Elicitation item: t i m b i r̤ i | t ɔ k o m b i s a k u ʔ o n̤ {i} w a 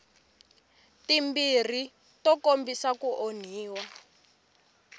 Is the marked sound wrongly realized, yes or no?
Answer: yes